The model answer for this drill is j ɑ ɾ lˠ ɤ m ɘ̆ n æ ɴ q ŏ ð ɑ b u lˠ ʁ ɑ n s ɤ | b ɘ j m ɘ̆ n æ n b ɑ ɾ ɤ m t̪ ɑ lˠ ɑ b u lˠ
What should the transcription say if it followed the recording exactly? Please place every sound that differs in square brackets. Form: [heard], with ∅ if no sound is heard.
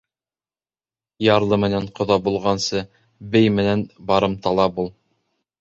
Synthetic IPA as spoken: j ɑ ɾ lˠ ɤ m ɘ̆ n æ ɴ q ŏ ð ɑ b u lˠ ʁ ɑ n s ɤ | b ɘ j m ɘ̆ n æ n b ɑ ɾ ɤ m t̪ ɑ lˠ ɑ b u lˠ